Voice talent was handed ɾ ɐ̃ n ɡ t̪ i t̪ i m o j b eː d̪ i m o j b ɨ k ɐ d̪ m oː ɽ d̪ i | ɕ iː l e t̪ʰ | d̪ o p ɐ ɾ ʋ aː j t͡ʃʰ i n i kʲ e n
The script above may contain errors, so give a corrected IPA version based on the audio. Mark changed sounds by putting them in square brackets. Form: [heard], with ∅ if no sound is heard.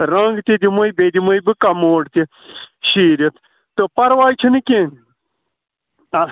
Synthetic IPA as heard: ɾ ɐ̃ [ŋ] ɡ t̪ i [d̪] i m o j b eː d̪ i m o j b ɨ k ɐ [∅] m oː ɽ [t̪] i | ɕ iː [ɾ] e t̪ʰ | [t̪] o p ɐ ɾ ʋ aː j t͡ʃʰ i n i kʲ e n